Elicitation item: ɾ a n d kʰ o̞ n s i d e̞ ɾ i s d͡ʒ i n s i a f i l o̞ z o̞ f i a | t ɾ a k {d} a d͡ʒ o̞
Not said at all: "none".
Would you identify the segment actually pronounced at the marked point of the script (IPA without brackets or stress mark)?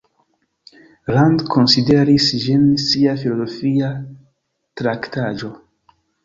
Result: t